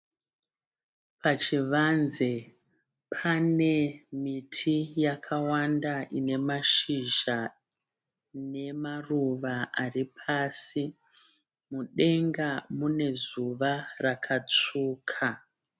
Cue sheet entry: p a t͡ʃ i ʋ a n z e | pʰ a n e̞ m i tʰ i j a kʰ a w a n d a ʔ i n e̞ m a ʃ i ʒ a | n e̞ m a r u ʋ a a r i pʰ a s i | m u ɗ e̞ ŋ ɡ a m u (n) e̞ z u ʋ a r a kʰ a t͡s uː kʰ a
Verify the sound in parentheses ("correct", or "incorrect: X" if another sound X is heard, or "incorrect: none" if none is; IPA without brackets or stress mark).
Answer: correct